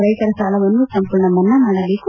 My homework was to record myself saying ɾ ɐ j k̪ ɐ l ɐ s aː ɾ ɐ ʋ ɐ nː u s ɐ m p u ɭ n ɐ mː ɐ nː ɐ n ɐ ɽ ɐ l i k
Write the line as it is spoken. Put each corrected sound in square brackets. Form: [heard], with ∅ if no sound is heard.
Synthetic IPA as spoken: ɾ ɐ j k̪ ɐ [ɾ] ɐ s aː [l] ɐ ʋ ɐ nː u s ɐ m p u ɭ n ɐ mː ɐ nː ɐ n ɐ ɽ ɐ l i k